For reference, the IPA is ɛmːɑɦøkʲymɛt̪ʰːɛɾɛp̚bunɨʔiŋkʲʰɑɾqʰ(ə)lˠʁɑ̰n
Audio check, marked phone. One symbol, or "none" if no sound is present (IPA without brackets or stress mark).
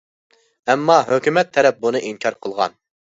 ə